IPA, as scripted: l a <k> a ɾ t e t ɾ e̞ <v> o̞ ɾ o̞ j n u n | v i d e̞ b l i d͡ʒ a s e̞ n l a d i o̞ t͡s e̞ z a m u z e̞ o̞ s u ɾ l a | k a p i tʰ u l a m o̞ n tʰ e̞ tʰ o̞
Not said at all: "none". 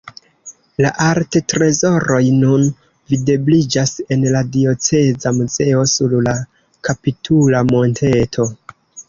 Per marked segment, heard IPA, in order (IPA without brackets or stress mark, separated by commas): ʔ, z